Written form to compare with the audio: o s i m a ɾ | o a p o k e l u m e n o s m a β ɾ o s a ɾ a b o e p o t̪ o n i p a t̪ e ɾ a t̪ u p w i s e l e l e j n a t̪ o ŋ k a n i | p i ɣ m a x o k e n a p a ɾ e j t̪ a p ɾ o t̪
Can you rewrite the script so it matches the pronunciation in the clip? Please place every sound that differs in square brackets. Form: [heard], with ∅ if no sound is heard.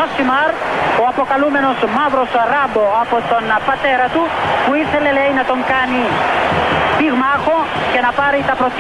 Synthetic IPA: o s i m a ɾ | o a p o k [a] l u m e n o s m a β ɾ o s a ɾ a b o [a] p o t̪ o n [a] p a t̪ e ɾ a t̪ u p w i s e l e l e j n a t̪ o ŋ k a n i | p i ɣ m a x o k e n a p a ɾ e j t̪ a p ɾ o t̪